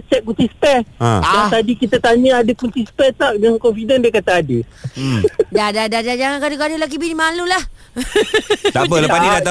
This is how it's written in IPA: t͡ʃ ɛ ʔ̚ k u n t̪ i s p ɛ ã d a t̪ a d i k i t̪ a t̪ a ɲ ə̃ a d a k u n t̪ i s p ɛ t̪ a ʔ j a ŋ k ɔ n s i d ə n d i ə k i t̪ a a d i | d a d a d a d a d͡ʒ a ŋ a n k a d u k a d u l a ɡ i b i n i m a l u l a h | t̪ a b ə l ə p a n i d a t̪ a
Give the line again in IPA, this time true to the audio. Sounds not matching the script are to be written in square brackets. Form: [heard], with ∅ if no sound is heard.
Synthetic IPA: t͡ʃ ɛ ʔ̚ k u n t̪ i s p ɛ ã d a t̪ a d i k i t̪ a t̪ a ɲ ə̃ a d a k u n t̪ i s p ɛ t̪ a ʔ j a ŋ k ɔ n [f] i d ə n d i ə k [a] t̪ a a d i | d a d a d a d a d͡ʒ a ŋ a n k a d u k a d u l a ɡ i b i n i m a l u l a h | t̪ a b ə l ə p a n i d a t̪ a